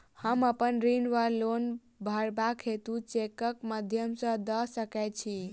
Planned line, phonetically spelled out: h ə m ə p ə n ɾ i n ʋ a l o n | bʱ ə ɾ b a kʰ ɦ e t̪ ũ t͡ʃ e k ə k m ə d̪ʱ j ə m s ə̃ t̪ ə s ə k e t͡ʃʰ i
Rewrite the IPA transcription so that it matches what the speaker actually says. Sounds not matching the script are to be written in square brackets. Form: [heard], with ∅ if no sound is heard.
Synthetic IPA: h ə m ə p ə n ɾ i n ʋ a l o n | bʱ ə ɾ b a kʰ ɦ e t̪ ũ t͡ʃ e k ə k m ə d̪ʱ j ə m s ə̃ [d̪] ə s ə k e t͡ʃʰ i